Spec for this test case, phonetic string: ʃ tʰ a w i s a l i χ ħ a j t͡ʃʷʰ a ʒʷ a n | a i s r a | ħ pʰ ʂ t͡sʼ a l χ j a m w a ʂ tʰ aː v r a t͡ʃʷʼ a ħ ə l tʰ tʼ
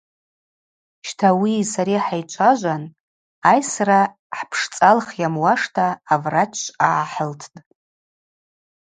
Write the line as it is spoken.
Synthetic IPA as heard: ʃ tʰ a w i s a ɾ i ħ a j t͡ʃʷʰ a ʒʷ a n | a j s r a | ħ pʰ ʂ t͡sʼ a l χ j a m w a ʂ tʰ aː v r a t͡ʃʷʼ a ħ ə l tʰ tʼ